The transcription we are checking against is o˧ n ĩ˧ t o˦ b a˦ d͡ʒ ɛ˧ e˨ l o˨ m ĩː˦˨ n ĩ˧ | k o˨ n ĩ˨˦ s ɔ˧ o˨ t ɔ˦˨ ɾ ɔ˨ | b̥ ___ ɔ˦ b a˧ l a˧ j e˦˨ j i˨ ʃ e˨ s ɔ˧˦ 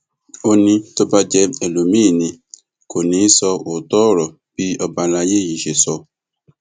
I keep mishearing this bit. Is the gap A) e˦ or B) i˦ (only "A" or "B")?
B